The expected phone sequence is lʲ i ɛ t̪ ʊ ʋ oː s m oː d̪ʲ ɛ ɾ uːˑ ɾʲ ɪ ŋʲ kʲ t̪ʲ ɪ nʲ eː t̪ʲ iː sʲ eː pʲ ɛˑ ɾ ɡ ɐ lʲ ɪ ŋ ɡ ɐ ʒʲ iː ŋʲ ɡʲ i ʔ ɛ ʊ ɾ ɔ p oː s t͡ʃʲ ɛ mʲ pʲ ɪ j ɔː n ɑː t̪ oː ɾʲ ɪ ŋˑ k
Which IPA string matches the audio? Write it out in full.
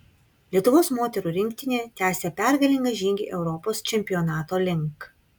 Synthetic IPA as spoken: lʲ i ɛ t̪ ʊ ʋ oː s m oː t̪ʲ ɛ ɾ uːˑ ɾʲ ɪ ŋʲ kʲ t̪ʲ ɪ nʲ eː t̪ʲ æː sʲ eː pʲ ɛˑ ɾ ɡ ɐ lʲ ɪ ŋ ɡ ɐ ʒʲ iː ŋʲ ɡʲ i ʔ ɛ ʊ ɾ ɔ p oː s t͡ʃʲ ɛ mʲ pʲ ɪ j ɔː n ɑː t̪ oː lʲ ɪ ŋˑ k